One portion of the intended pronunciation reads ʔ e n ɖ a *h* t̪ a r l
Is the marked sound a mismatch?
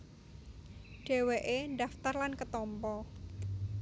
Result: yes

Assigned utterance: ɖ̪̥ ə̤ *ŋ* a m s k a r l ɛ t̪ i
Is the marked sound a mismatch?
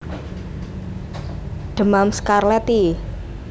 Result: yes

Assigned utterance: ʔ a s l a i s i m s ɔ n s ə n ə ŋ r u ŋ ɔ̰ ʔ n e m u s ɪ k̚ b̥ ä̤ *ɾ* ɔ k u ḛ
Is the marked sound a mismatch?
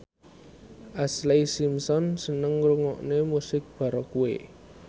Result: no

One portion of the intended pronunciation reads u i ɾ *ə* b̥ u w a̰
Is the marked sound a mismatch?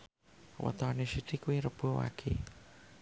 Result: no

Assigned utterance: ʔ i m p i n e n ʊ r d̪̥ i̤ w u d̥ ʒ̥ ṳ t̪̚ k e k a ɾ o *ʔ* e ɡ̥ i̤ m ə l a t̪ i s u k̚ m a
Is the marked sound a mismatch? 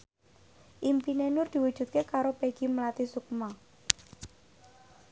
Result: yes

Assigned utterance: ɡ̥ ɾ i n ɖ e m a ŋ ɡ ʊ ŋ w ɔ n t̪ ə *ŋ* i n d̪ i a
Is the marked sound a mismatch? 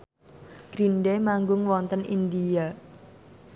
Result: yes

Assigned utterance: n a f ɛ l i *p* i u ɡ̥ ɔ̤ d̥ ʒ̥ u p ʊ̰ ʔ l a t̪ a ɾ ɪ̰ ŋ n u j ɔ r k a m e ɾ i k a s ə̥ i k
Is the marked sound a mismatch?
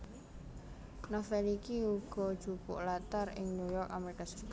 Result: yes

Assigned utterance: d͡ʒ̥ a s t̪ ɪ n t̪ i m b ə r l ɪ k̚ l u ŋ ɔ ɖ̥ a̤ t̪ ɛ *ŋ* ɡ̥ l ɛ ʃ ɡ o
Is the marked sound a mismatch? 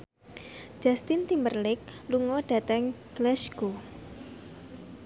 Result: no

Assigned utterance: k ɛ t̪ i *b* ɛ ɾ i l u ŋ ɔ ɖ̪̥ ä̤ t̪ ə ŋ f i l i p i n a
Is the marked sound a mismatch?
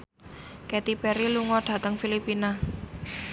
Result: yes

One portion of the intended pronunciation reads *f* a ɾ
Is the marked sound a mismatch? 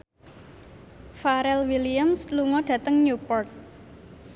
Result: no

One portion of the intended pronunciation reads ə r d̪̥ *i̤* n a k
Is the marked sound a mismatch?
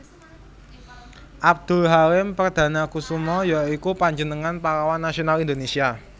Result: yes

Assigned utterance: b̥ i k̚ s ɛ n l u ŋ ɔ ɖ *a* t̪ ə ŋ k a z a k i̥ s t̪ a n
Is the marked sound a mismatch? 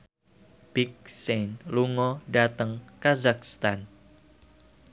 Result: no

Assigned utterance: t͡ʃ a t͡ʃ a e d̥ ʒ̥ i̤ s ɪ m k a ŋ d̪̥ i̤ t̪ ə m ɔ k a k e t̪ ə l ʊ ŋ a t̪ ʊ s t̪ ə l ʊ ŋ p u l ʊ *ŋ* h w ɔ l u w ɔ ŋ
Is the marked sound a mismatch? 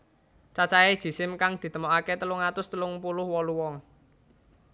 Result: yes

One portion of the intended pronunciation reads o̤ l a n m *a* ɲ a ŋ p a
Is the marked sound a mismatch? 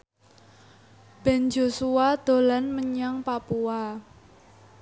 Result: yes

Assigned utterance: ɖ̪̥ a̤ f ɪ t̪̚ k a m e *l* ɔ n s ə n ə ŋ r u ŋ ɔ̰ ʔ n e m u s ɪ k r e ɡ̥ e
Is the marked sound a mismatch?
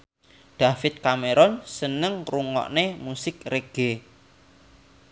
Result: yes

